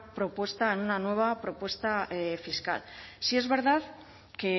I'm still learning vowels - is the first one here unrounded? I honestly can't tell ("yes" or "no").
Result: no